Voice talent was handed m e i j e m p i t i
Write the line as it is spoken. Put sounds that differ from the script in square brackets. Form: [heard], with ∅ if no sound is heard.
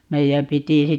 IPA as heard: m e i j [æ] m p i t i